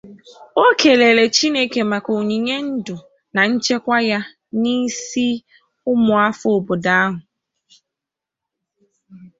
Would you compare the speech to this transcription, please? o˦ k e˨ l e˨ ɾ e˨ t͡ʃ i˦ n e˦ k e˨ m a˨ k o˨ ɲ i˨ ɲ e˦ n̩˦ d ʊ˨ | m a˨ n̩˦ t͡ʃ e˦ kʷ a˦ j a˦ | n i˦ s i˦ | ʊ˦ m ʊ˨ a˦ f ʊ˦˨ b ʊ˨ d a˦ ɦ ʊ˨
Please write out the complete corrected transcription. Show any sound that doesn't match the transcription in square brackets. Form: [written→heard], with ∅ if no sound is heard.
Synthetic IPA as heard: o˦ k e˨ l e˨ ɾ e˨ t͡ʃ i˦ n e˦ k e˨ m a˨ k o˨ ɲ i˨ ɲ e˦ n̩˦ d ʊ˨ | [m→n] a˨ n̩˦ t͡ʃ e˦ kʷ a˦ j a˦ | n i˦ s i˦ | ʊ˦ m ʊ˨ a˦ f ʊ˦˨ b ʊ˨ d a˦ ɦ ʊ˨